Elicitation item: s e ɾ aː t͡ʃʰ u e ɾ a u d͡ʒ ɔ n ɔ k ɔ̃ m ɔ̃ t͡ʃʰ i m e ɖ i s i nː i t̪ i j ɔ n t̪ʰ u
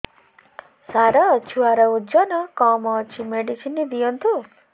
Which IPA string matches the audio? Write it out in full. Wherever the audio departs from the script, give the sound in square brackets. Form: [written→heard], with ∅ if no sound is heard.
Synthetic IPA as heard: s [e→a] ɾ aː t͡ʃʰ u [e→a] ɾ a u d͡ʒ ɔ n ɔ k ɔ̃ m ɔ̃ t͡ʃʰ i m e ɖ i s i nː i [t̪→d̪] i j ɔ n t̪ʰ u